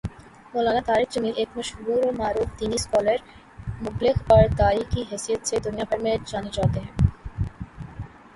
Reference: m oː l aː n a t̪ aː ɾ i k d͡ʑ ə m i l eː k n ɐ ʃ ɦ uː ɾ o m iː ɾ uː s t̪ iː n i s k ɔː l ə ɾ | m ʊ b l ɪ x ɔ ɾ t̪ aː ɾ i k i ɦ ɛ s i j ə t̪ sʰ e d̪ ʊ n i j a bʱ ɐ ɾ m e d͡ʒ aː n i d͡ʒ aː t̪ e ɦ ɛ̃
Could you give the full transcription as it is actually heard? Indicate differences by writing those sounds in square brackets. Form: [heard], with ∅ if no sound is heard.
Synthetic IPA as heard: m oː l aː n a t̪ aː ɾ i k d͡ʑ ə m i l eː k [m] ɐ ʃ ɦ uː ɾ o m [aː] ɾ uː [f] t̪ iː n i s k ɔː l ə ɾ | m ʊ b l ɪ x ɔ ɾ t̪ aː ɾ i k i ɦ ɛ s i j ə t̪ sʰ e d̪ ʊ n i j a bʱ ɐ ɾ m e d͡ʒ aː n i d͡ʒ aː t̪ e ɦ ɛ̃